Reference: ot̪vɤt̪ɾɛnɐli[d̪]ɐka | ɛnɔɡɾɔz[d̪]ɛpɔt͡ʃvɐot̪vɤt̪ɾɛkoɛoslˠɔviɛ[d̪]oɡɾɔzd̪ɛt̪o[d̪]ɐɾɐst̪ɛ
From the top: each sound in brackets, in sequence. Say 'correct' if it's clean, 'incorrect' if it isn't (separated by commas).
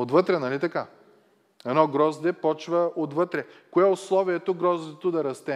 incorrect, correct, incorrect, correct